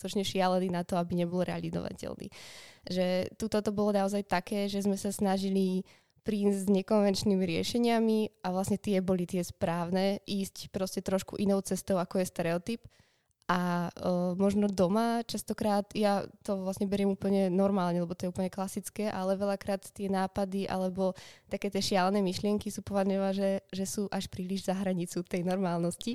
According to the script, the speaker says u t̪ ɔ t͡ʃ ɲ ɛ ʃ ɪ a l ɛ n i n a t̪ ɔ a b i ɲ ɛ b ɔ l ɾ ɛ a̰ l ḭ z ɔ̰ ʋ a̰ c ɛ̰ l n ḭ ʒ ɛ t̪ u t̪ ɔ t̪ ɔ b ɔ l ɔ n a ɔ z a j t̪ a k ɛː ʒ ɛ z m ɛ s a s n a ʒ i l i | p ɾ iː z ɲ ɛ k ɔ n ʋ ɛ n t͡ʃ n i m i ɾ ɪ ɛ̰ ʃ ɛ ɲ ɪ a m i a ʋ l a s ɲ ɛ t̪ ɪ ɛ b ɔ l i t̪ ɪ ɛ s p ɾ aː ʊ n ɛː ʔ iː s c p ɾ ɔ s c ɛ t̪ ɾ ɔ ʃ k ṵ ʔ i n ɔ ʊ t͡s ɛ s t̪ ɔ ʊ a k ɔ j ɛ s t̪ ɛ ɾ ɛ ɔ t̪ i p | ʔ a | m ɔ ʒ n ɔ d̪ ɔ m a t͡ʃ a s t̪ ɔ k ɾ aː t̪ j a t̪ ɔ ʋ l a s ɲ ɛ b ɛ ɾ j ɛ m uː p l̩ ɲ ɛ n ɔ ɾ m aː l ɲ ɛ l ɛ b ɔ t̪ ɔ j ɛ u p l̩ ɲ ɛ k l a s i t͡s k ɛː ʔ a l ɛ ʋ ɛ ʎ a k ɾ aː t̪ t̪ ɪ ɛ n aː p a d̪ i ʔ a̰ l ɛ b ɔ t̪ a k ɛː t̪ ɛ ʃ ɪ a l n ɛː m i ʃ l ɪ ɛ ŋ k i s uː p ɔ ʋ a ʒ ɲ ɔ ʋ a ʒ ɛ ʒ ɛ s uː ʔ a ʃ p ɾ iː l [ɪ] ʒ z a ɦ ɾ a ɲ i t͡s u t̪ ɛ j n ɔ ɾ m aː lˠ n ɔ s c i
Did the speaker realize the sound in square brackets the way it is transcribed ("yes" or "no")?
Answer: no